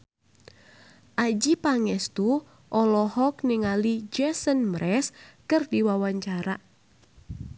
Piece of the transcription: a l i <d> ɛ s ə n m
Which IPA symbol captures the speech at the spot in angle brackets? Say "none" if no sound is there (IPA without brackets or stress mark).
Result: d͡ʒ